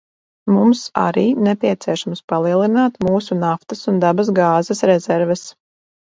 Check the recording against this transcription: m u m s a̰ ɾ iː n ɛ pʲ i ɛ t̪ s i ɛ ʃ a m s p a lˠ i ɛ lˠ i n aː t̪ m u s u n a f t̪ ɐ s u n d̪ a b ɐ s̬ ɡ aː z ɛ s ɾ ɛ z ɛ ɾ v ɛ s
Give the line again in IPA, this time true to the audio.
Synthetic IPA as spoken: m u m s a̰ ɾ iː n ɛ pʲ i ɛ t̪ s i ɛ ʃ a m s p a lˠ i ɛ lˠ i n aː t̪ m uː s u n a f t̪ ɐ s u n d̪ a b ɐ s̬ ɡ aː z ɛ s ɾ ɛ z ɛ ɾ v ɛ s